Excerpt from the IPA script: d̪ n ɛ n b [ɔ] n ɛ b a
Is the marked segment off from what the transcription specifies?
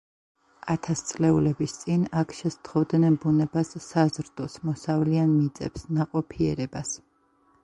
yes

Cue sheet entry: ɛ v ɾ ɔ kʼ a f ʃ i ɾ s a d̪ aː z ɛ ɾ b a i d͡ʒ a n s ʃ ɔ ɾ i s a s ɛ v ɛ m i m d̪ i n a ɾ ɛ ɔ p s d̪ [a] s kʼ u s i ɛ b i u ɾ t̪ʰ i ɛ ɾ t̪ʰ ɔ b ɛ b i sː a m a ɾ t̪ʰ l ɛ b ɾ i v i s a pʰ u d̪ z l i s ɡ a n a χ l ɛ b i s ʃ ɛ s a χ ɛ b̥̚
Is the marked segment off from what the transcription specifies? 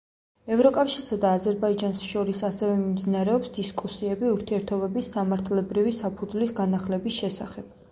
yes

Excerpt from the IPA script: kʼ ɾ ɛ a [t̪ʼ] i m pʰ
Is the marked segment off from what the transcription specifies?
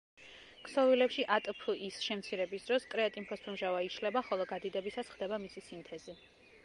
no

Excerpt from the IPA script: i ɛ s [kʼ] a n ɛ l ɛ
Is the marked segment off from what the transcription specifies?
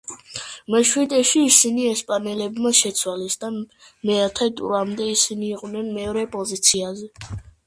yes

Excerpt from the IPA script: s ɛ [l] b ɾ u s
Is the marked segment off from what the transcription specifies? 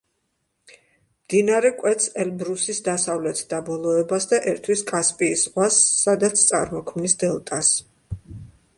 no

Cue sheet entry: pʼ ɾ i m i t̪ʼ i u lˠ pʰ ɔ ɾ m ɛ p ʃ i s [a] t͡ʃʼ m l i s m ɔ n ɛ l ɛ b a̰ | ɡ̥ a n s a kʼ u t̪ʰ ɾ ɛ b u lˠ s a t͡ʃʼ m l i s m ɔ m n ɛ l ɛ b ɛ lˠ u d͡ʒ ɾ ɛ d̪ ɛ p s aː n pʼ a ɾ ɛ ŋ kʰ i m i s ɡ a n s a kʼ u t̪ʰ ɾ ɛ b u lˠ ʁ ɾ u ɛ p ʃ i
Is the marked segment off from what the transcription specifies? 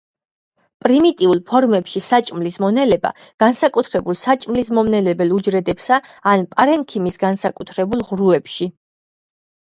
no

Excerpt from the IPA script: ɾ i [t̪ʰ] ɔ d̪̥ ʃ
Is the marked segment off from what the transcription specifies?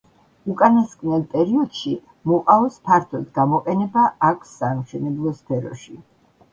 yes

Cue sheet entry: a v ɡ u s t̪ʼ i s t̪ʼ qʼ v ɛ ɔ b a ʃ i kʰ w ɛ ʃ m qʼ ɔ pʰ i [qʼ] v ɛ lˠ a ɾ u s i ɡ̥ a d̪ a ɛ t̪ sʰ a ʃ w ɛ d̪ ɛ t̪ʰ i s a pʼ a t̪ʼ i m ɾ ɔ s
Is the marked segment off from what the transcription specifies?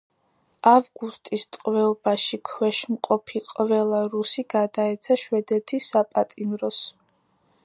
no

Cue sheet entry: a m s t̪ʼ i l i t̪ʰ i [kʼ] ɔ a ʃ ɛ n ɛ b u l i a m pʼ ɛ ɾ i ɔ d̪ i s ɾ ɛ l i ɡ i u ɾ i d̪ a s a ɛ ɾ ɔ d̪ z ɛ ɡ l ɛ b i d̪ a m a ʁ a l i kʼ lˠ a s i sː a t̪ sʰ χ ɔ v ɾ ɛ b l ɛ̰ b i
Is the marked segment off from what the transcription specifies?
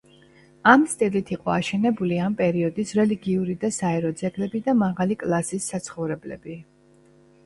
yes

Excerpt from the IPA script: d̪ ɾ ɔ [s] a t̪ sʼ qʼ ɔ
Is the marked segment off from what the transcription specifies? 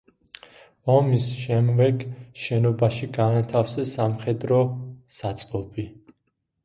no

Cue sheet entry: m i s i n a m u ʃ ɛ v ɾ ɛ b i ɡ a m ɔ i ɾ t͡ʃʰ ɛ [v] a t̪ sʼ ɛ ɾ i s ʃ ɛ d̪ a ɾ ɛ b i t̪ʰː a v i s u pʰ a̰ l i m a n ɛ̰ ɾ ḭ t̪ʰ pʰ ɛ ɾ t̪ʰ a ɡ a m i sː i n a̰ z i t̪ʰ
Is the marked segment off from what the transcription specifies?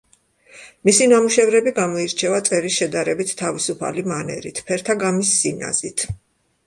no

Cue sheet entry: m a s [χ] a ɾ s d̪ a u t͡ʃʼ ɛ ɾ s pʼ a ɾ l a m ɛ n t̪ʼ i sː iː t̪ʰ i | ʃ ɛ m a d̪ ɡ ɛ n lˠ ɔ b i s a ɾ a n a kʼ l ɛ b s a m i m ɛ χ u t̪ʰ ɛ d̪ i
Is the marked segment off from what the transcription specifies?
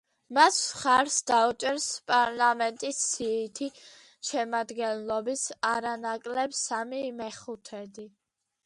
no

